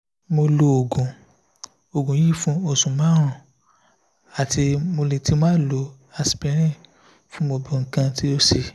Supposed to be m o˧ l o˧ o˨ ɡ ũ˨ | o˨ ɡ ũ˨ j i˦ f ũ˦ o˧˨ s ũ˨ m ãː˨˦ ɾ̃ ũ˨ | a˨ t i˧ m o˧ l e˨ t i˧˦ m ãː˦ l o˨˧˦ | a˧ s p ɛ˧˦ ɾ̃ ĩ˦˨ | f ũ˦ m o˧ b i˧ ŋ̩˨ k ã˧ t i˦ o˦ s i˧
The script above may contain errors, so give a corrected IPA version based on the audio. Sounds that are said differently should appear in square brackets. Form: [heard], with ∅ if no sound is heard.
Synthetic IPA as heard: m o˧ l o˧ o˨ ɡ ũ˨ | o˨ ɡ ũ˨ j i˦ f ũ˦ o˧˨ s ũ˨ m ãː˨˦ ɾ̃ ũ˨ | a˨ t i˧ m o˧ l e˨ t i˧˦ m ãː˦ l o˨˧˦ | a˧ s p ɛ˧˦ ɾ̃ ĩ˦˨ | f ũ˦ m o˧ b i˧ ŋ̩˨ k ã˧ t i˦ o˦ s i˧